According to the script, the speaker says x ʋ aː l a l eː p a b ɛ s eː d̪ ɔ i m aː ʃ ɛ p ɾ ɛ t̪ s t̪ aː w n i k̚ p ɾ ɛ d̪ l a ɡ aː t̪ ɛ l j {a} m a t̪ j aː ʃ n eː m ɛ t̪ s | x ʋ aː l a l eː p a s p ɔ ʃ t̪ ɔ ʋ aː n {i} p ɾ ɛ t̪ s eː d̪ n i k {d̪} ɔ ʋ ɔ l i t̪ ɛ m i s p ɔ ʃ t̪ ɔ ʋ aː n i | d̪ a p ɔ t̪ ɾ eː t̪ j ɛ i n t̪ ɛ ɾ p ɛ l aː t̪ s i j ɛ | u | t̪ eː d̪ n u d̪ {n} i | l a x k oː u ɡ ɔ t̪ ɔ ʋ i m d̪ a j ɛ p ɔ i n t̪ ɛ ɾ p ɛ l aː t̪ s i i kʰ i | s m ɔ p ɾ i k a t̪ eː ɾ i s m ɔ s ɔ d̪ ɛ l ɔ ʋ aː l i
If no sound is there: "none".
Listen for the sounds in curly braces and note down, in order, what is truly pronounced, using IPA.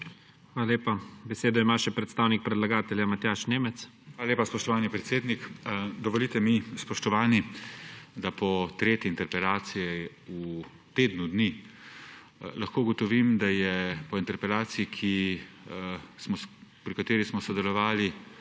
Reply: a, i, d̪, n

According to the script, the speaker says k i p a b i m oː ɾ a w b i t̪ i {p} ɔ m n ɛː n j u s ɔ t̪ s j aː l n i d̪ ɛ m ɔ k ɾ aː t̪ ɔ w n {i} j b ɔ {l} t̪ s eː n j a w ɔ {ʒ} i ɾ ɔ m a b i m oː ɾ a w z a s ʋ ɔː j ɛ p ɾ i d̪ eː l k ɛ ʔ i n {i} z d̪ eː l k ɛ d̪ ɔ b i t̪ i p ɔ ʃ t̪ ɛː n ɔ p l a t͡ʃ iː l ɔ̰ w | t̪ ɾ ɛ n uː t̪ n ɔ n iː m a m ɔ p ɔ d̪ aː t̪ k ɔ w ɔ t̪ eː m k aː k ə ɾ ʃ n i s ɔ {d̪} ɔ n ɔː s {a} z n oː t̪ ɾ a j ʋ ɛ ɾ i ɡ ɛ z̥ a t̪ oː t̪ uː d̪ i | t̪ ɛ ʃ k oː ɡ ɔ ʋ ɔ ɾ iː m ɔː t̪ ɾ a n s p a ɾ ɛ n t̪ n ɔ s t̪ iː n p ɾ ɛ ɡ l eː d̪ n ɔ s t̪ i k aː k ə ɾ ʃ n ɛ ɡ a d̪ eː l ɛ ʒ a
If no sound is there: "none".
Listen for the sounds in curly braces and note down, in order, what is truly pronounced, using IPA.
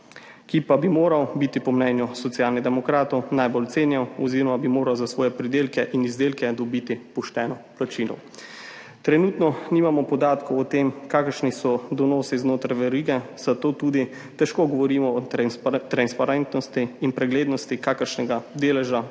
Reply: p, a, l, z, i, d̪, i

